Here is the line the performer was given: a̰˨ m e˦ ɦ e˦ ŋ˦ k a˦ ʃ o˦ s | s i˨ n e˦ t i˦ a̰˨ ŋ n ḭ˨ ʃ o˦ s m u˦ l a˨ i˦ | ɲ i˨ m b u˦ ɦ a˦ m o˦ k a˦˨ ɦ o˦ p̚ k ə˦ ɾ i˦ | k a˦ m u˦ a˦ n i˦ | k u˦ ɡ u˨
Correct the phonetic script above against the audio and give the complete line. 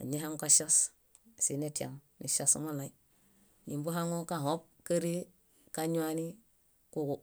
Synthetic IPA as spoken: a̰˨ ɲ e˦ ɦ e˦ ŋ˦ k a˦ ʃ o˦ s | s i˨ n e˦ t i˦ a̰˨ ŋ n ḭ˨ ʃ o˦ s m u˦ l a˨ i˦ | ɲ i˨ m b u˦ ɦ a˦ ŋ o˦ k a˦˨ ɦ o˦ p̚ k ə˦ ɾ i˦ | k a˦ ɲ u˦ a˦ n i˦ | k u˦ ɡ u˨